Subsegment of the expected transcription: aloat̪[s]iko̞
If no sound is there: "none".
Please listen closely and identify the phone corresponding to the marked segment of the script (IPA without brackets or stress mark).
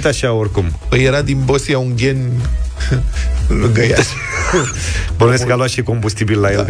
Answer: ʃ